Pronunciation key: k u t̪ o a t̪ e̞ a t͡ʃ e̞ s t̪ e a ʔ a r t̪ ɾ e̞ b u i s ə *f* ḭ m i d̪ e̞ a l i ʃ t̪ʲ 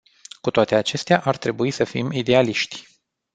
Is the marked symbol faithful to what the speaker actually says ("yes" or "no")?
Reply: yes